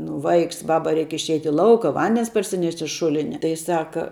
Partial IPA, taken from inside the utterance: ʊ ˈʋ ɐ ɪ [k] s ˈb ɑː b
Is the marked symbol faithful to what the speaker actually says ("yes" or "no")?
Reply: yes